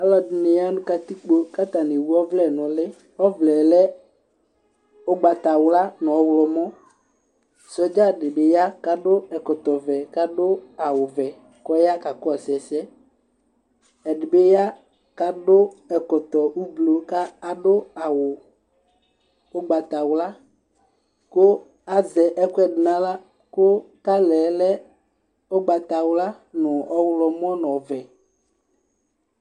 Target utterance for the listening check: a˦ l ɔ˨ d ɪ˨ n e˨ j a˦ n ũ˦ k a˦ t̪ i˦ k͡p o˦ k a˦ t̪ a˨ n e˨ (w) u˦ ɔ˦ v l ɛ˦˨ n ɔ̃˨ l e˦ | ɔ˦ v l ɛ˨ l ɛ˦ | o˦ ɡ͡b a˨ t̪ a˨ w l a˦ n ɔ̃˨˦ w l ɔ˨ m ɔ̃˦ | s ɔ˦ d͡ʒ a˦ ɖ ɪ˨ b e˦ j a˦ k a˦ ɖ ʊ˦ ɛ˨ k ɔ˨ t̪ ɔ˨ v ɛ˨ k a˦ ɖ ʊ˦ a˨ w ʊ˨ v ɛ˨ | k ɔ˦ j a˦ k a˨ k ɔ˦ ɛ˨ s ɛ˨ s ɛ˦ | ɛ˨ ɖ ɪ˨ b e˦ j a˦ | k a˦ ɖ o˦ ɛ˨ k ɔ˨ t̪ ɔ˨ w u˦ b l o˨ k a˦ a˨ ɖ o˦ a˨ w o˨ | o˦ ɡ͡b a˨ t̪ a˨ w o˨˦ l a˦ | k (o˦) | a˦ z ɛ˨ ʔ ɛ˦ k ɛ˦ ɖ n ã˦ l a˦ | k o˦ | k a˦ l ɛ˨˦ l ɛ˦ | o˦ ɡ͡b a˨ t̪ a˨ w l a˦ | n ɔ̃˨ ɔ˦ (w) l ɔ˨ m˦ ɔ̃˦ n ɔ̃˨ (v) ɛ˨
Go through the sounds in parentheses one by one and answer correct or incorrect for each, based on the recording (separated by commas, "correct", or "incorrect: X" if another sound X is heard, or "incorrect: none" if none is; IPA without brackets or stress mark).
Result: correct, correct, correct, correct